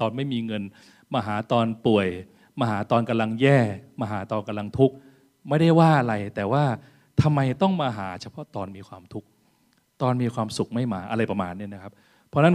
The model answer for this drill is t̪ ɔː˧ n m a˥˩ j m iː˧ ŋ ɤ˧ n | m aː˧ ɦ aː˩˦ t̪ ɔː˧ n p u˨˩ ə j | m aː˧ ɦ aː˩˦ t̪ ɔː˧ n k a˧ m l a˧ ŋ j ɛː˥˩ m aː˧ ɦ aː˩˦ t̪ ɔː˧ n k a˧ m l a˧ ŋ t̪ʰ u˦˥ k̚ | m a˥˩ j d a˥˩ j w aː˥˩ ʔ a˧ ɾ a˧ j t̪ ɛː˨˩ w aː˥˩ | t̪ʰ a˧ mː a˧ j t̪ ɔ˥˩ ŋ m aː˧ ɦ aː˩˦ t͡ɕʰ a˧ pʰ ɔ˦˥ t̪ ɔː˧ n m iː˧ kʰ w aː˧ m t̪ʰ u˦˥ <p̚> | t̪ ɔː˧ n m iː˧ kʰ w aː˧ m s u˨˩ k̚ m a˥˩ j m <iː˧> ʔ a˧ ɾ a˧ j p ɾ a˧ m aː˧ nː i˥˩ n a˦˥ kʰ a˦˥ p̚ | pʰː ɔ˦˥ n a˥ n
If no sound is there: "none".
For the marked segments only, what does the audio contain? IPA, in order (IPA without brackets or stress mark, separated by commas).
k̚, aː˧